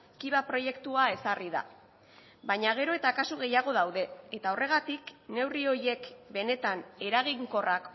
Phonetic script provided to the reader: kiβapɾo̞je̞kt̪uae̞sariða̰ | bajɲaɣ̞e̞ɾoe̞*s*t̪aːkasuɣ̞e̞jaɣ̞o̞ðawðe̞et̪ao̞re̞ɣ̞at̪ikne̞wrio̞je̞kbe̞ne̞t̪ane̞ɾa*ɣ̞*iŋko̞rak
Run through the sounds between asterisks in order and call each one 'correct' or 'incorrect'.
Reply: incorrect: none, correct

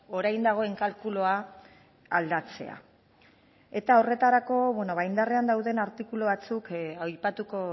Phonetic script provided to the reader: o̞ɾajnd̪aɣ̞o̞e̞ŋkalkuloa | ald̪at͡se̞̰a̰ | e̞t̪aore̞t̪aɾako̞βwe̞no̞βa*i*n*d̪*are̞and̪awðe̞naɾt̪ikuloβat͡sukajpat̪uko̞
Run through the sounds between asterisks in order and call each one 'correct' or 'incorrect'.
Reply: incorrect: j, correct

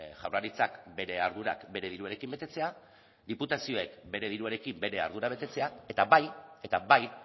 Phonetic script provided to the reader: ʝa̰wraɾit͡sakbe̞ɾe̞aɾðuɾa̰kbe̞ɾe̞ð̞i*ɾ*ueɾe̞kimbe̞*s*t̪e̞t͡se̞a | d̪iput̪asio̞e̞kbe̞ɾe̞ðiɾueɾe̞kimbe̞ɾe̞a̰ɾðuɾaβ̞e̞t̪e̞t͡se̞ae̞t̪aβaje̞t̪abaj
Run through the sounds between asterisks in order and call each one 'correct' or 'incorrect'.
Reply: correct, incorrect: none

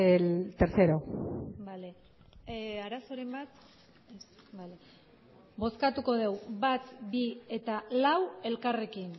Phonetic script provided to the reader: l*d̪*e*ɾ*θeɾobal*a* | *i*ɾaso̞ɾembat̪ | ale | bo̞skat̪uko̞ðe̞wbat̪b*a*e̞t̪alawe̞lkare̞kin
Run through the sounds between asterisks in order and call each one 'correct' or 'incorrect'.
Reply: incorrect: t̪, correct, incorrect: e, incorrect: a, incorrect: i

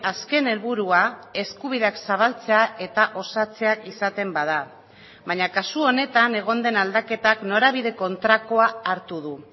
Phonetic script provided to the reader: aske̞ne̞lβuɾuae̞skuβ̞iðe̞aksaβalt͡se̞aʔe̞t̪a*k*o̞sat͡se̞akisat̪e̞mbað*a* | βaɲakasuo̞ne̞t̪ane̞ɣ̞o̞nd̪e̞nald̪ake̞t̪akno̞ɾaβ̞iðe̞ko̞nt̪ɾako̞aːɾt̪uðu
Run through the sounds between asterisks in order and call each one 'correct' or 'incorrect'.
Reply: incorrect: ʔ, correct

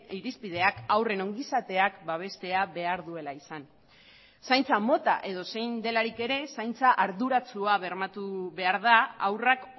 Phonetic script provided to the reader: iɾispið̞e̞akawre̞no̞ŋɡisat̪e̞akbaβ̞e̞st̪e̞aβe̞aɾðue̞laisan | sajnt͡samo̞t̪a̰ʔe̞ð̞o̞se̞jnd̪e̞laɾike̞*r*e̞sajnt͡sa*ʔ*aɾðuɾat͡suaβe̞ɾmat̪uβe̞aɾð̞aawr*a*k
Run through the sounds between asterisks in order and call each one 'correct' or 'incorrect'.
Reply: incorrect: ɾ, correct, correct

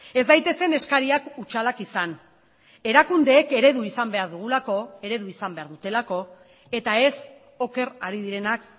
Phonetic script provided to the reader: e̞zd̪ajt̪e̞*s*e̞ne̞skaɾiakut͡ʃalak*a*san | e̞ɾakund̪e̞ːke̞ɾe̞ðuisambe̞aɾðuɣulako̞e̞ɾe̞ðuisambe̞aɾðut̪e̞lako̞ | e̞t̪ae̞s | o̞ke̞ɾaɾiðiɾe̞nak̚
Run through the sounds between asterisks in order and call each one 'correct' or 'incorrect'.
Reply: correct, incorrect: i

